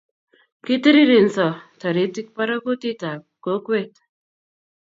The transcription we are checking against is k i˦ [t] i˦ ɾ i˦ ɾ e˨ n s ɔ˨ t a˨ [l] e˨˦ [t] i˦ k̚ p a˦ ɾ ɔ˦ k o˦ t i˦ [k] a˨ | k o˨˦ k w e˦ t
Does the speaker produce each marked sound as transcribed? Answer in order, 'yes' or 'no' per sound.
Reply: yes, no, yes, no

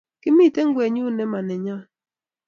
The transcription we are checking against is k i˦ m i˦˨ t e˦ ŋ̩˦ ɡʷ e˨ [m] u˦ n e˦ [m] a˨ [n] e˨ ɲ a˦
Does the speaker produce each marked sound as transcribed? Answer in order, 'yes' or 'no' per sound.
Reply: no, yes, yes

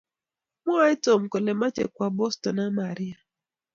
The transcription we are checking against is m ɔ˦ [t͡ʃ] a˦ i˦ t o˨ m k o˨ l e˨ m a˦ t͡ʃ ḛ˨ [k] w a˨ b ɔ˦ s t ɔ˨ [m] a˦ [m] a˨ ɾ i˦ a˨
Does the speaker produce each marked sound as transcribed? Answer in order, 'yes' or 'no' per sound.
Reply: no, yes, no, yes

